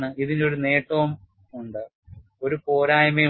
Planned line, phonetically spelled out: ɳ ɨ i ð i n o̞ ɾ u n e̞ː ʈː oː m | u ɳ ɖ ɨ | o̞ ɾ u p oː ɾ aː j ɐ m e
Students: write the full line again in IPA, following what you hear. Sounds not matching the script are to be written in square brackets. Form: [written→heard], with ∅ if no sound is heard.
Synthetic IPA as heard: ɳ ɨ i ð i n o̞ ɾ u n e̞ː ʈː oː m | u ɳ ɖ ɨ | o̞ ɾ u p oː ɾ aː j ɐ m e